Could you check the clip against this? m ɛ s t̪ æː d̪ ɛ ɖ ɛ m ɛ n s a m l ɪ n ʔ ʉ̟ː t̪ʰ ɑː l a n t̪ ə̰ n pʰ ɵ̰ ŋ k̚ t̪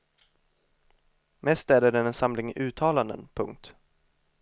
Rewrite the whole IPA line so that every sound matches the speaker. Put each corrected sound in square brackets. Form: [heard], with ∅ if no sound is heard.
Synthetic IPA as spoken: m ɛ s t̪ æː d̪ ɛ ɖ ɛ [n] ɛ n s a m l ɪ [ŋ] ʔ ʉ̟ː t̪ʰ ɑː l a n [d̪] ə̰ n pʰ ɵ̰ ŋ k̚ t̪